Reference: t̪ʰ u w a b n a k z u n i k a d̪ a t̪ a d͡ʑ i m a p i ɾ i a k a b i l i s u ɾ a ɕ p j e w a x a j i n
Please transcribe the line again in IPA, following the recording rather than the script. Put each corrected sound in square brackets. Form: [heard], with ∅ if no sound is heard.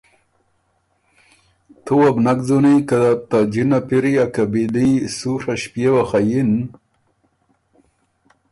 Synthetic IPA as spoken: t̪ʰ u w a b n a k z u n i k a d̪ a t̪ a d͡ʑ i [n] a p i ɾ i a k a b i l i s u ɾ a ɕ p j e w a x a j i n

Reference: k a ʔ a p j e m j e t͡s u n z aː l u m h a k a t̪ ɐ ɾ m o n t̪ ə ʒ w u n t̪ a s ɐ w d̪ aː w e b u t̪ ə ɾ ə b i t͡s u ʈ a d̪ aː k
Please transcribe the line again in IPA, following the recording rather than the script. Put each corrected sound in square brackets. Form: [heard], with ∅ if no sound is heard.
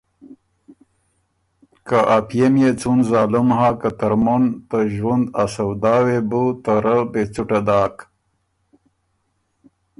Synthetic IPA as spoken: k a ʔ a p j e m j e t͡s u n z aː l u m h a k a t̪ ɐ ɾ m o n t̪ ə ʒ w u n [d̪] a s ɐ w d̪ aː w e b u t̪ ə ɾ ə b [e] t͡s u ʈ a d̪ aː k

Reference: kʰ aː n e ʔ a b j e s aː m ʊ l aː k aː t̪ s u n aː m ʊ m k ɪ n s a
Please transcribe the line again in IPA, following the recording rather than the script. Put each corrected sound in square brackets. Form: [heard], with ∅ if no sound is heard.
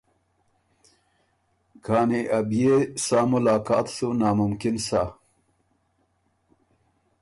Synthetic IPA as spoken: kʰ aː n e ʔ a b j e s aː m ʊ l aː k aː t̪ s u n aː m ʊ m k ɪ n s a

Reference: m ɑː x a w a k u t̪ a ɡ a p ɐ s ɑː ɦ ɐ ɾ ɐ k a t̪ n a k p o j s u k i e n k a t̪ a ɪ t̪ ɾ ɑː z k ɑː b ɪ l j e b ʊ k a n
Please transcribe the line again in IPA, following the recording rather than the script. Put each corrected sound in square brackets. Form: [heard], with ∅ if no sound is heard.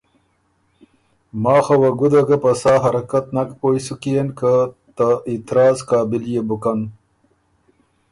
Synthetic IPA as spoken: m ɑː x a w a [ɡ] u [d̪] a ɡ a p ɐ s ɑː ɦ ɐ ɾ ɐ k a t̪ n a k p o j s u k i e n k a t̪ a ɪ t̪ ɾ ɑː z k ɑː b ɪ l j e b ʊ k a n

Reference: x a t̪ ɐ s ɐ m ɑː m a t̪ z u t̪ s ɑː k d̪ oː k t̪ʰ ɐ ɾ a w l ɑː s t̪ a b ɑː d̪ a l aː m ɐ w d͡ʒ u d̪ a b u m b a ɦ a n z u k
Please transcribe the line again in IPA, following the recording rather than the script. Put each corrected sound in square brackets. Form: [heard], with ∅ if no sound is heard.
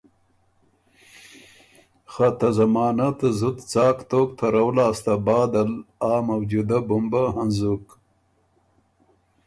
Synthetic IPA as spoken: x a t̪ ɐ [z] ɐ m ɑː [n] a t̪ z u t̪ [t͡s] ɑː k [t̪] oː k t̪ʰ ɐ ɾ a w l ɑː s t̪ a b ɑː d̪ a l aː m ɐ w d͡ʒ u d̪ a b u m b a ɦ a n z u k

